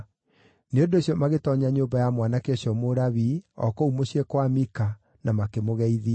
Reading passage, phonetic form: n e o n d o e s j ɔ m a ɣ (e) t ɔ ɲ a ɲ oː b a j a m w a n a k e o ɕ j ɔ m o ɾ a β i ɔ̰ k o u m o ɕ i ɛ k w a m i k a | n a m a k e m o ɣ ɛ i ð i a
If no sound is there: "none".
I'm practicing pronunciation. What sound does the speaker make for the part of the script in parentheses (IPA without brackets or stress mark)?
e